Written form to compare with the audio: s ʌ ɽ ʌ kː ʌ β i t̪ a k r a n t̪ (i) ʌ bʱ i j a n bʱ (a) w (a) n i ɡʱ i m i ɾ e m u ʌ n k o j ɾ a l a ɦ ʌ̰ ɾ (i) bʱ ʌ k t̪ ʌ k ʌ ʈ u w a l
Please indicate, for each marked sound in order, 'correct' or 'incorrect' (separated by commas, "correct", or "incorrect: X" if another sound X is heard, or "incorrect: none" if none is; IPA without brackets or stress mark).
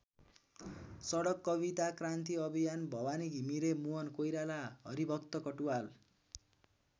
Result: correct, incorrect: ʌ, correct, correct